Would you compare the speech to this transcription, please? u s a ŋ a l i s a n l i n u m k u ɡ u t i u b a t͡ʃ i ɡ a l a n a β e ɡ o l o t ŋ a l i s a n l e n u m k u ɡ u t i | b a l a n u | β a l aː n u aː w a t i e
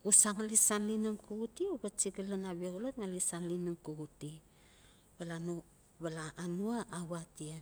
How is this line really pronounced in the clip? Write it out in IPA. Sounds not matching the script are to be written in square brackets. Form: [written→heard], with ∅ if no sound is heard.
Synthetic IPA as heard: u s a ŋ a l i s a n l i n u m k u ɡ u t i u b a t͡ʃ i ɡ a l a n a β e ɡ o l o t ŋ a l i s a n l [e→i] n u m k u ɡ u t i | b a l a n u | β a l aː n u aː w a t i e